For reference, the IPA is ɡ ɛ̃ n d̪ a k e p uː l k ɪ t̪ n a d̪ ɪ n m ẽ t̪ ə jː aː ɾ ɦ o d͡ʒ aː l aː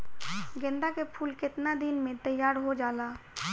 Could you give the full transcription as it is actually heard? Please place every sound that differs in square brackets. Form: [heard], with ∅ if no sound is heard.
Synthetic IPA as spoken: ɡ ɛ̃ n d̪ a k e [pʰ] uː l k ɪ t̪ n a d̪ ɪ n m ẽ t̪ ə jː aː ɾ ɦ o d͡ʒ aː l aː